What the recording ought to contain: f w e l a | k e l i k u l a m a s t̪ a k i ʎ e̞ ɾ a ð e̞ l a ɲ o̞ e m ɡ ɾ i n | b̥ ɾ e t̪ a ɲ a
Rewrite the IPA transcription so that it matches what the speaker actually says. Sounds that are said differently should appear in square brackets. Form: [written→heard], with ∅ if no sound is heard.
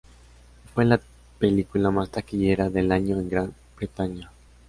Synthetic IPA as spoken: f w e l a | [k→p] e l i k u l a m a s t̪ a k i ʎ e̞ ɾ a ð e̞ l a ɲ o̞ e [m→ŋ] ɡ ɾ [i→a] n | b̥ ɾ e t̪ a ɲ a